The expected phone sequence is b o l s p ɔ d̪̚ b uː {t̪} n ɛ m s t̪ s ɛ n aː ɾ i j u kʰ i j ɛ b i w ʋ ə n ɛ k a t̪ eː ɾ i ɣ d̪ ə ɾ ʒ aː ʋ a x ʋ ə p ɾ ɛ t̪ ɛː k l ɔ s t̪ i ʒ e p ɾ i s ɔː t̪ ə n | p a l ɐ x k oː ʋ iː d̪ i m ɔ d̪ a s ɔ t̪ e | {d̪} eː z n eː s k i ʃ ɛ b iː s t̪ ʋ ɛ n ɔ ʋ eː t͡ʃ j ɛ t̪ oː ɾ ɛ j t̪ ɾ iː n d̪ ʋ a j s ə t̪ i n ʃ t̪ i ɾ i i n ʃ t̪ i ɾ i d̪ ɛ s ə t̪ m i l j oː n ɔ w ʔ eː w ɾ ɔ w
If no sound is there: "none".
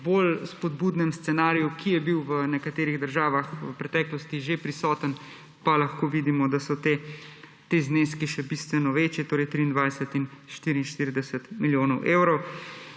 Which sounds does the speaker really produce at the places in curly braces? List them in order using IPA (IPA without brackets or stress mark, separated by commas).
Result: d̪, t̪